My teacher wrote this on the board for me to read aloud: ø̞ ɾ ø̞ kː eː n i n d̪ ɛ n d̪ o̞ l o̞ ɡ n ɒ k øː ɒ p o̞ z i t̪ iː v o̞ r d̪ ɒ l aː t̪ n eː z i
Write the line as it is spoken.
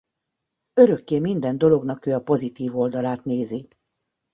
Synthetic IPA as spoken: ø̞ ɾ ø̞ kː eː m i n d̪ ɛ n d̪ o̞ l o̞ ɡ n ɒ k øː ɒ p o̞ z i t̪ iː v o̞ l d̪ ɒ l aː t̪ n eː z i